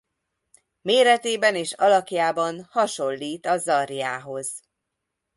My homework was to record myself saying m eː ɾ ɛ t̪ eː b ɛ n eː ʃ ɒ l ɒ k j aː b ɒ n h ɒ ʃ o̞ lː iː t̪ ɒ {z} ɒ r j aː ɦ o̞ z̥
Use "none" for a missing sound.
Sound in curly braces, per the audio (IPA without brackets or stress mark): z